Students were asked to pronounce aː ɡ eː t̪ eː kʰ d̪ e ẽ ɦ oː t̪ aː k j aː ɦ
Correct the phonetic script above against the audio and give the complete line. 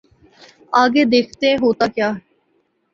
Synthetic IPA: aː ɡ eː d̪ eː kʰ t̪ e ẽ ɦ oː t̪ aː k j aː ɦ